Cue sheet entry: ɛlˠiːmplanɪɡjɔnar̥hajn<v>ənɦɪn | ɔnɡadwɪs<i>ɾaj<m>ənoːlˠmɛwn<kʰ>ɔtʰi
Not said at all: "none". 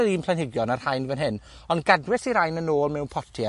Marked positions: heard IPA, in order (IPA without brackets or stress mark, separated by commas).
v, i, n, pʰ